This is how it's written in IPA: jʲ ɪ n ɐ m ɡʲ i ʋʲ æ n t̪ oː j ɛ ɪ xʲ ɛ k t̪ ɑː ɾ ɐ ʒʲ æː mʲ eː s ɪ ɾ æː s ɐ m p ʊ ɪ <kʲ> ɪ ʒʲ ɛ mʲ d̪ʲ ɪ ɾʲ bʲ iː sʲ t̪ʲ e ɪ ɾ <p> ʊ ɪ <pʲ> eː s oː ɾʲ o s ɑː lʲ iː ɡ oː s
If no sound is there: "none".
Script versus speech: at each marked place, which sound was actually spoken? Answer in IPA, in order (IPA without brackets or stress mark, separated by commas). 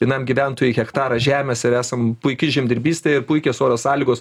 kʲ, p, kʲ